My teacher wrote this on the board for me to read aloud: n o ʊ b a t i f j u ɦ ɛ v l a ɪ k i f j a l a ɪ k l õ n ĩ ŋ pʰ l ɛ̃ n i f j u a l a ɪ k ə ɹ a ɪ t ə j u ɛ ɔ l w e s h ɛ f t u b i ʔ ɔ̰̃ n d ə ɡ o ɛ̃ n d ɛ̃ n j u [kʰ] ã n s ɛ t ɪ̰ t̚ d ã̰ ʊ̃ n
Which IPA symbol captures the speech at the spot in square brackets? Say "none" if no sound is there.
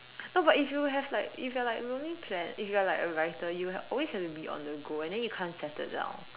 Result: kʰ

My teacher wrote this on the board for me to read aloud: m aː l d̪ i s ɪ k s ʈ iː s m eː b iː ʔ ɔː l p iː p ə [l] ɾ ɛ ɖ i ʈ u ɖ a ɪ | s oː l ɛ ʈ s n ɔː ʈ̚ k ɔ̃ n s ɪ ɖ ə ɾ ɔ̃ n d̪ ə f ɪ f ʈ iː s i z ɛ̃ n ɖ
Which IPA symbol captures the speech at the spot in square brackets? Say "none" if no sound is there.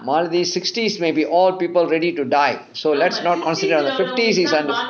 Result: l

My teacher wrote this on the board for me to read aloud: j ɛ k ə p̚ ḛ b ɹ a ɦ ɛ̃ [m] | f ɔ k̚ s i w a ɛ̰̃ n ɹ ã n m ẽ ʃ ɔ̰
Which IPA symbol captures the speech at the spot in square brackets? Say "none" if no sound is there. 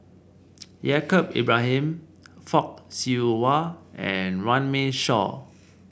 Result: m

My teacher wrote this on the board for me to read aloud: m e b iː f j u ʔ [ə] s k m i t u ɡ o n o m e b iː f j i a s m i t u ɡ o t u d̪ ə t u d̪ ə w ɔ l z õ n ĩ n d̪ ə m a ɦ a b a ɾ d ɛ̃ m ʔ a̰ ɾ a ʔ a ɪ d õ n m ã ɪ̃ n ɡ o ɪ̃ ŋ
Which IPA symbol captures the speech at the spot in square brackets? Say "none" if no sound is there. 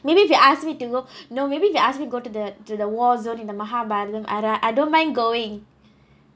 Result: a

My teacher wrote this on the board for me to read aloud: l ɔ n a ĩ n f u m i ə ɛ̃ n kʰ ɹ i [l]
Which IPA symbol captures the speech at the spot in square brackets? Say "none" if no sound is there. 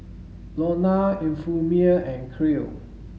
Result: l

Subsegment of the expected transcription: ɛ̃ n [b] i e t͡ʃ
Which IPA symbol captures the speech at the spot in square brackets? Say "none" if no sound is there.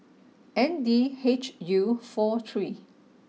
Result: d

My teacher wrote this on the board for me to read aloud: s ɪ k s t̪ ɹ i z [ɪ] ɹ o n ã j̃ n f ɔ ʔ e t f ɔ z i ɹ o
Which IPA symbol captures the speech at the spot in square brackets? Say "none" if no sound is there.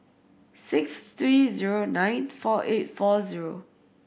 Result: i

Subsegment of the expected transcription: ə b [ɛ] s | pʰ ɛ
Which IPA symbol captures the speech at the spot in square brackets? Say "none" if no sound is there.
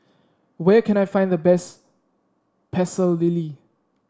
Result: ɛ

